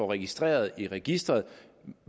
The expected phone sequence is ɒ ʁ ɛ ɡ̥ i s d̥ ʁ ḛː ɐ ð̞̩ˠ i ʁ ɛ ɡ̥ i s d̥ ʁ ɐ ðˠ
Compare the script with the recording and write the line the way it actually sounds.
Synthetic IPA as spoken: ɒ ʁ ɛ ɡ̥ i s d̥ ʁ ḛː ɐ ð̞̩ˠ i ʁ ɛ ɡ̥ i s d̥ ʁ ɐ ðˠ